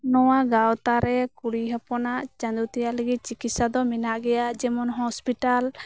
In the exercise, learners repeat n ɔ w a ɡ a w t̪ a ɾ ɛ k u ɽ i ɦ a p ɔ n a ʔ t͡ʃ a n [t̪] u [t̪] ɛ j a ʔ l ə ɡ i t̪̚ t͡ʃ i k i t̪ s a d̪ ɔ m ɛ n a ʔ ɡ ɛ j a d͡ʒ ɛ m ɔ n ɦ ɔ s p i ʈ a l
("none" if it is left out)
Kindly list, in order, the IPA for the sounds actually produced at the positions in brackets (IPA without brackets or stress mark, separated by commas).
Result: d̪, t̪